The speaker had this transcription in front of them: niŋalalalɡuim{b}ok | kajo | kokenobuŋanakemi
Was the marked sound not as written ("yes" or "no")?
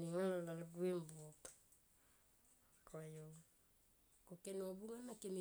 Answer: no